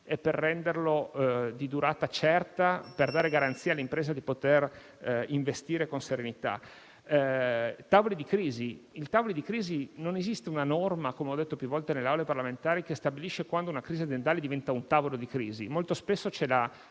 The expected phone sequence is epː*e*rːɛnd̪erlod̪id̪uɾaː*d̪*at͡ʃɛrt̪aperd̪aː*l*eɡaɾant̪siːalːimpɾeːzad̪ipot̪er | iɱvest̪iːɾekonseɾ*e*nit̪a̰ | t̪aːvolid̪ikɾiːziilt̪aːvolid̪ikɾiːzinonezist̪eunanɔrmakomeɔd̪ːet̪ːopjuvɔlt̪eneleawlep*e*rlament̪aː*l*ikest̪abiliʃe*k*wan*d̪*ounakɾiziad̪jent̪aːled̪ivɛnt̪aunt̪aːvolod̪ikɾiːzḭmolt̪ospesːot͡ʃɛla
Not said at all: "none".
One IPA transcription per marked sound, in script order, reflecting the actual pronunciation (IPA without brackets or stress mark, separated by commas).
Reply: e, t̪, ɾ, e, a, ɾ, k, d̪